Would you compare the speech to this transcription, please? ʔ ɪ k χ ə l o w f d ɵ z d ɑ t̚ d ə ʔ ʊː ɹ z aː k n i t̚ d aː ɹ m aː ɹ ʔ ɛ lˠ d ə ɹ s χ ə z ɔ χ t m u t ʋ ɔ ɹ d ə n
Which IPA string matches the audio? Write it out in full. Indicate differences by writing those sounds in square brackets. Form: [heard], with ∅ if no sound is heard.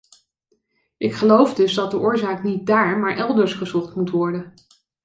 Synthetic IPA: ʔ ɪ k χ ə l o w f d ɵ z d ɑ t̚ d ə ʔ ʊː ɹ z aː k n i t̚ d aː ɹ m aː ɹ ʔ ɛ lˠ d ə ɹ s χ ə z ɔ χ t m u t ʋ ɔ ɹ d ə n